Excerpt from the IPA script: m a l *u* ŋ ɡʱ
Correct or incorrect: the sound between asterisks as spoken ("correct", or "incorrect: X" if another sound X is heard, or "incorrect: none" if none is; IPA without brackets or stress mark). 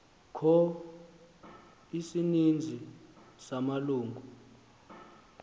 incorrect: uː